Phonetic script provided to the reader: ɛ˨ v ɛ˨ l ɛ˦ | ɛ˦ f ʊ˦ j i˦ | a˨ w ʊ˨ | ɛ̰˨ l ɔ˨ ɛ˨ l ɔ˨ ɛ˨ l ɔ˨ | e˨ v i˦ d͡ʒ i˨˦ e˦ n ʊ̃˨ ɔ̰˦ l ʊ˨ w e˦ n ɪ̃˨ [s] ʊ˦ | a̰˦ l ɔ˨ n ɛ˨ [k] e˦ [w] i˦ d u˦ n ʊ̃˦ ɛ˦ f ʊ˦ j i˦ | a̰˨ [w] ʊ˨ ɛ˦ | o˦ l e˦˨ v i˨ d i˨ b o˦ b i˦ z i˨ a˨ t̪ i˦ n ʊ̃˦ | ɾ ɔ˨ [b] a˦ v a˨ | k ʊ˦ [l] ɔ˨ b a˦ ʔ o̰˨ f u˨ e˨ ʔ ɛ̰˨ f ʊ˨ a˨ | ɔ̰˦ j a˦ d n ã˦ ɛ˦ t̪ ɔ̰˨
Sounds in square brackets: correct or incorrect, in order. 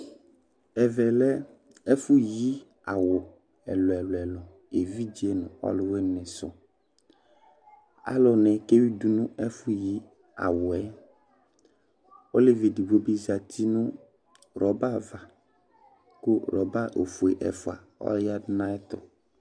correct, correct, correct, correct, correct, incorrect: ɾ

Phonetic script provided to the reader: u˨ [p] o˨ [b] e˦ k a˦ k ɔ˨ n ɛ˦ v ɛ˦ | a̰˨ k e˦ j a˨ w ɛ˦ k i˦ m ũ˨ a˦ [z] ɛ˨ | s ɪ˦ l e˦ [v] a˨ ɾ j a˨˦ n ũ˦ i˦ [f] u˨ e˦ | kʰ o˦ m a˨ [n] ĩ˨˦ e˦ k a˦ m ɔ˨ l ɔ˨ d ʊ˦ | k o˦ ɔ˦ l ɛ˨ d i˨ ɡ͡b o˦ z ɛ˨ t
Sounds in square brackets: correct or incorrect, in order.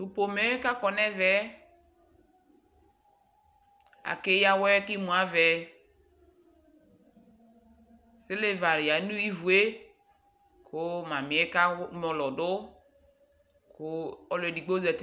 correct, incorrect: m, incorrect: v, correct, incorrect: v, incorrect: m

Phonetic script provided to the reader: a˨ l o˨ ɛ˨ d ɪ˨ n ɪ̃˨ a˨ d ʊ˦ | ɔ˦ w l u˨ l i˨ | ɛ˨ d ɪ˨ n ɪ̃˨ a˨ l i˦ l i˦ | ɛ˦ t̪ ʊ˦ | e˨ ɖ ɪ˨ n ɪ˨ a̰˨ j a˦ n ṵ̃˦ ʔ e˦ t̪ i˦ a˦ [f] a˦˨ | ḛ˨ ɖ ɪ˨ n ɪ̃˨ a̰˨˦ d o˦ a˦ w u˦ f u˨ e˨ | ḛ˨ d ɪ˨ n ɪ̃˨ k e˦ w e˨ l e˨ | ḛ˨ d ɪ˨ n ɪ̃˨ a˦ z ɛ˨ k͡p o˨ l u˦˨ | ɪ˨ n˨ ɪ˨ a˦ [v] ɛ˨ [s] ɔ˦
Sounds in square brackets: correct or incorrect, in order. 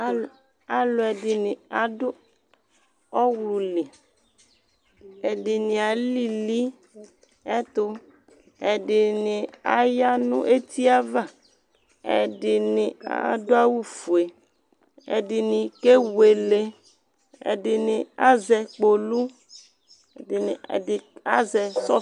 incorrect: v, incorrect: z, correct

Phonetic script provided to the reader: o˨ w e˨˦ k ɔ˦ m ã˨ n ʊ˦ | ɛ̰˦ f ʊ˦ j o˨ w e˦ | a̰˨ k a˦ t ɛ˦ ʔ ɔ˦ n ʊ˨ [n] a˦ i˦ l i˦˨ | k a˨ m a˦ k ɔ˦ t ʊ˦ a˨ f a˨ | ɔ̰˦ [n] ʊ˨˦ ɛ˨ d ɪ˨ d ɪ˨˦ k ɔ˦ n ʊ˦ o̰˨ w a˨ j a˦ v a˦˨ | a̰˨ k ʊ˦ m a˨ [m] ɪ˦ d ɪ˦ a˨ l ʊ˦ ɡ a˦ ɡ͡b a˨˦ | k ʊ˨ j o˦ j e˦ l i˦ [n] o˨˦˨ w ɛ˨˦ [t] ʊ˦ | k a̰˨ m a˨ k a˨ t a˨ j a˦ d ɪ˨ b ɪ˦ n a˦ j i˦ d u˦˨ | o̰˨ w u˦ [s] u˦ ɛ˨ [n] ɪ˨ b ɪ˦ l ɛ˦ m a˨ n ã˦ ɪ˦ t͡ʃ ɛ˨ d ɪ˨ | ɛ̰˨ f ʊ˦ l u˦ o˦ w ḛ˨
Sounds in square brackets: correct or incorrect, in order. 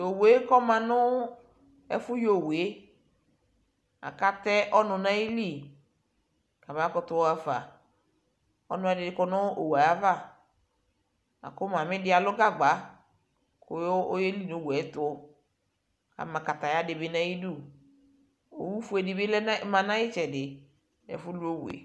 correct, correct, correct, correct, correct, incorrect: f, incorrect: d

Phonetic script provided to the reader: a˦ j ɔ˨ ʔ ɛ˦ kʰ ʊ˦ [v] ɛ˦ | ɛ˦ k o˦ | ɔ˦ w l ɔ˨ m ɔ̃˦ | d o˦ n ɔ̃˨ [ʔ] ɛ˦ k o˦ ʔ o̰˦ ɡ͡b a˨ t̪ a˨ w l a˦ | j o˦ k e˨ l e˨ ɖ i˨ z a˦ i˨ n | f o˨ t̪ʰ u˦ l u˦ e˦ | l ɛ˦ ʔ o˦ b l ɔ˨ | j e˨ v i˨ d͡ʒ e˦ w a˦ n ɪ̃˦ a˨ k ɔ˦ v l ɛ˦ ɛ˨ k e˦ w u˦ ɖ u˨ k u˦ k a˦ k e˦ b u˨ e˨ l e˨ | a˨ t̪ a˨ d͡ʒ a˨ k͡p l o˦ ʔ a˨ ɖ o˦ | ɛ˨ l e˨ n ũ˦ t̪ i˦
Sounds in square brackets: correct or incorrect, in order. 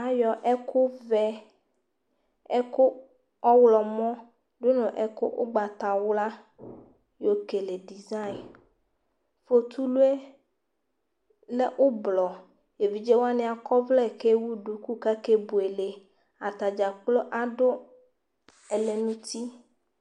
correct, correct

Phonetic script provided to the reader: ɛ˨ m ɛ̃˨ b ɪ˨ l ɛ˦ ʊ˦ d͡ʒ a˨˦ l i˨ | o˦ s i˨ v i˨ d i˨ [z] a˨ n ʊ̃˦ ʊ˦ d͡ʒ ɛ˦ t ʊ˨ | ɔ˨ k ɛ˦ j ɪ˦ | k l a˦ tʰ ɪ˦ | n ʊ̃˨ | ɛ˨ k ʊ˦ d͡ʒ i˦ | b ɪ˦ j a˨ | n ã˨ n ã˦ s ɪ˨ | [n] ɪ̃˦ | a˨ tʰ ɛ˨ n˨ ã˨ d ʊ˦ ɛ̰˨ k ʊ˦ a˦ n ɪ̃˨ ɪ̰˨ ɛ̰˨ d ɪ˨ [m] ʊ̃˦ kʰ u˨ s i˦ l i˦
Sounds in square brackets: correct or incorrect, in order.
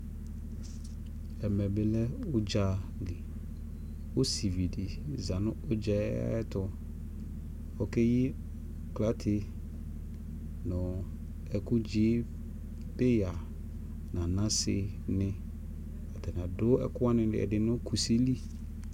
correct, correct, incorrect: n

